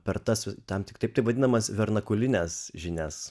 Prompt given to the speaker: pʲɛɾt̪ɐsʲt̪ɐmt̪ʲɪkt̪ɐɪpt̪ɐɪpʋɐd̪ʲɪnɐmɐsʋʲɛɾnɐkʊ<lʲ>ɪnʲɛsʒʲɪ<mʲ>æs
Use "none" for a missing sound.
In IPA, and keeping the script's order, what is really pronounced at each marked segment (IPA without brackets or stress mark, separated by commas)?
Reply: lʲ, nʲ